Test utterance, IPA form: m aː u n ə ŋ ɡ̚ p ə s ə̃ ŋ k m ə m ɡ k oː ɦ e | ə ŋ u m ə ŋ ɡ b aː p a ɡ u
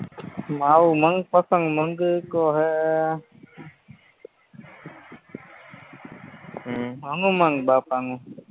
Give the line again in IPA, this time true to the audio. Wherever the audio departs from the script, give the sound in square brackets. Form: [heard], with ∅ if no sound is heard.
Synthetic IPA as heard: m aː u [m] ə ŋ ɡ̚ p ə s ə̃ ŋ [ɡ] m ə [ŋ] ɡ k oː ɦ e | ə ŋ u m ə ŋ ɡ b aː p a [ŋ] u